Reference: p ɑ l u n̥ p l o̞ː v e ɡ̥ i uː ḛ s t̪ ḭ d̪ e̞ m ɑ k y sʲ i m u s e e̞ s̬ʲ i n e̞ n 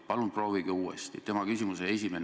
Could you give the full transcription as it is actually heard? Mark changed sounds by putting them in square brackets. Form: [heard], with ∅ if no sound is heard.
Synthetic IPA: p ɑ l u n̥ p [r] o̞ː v [i] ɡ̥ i uː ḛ s t̪ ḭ [t̪] e̞ m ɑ k y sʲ i m u s e e̞ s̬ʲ i [m] e̞ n

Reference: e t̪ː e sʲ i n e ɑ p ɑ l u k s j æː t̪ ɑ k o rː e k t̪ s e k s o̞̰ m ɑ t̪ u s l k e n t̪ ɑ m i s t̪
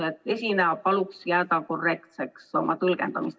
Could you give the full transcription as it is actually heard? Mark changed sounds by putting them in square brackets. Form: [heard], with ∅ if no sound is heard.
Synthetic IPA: e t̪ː e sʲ i n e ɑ p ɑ l u k s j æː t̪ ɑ k o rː e k t̪ s e k s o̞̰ m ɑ t̪ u [∅] l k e n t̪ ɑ m i s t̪

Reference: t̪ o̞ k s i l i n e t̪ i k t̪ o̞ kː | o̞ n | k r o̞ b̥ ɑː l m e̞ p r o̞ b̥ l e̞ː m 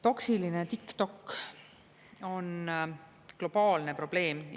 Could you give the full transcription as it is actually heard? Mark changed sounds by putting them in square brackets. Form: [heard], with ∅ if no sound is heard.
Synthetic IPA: t̪ o̞ k s i l i n e t̪ i k t̪ o̞ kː | o̞ n | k [l] o̞ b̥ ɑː l [n] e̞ p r o̞ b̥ l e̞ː m

